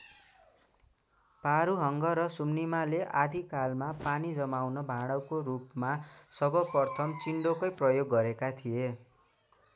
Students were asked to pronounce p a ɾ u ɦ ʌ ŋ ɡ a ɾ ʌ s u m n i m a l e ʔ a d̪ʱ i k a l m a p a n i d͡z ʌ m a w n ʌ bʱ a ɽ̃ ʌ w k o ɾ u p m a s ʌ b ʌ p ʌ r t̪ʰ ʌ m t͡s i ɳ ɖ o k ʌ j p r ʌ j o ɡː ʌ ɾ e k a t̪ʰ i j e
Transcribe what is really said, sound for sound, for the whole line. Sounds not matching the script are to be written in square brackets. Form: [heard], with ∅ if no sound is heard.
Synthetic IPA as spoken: p a ɾ u ɦ ʌ ŋ ɡ [ʌ] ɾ ʌ s u m n i m a l e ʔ a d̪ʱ i k a l m a p a n i d͡z ʌ m a w n ʌ bʱ a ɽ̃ ʌ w k o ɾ u p m a s ʌ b ʌ p ʌ r t̪ʰ ʌ m t͡s i ɳ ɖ o k ʌ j p r ʌ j o ɡː ʌ ɾ e k a t̪ʰ i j e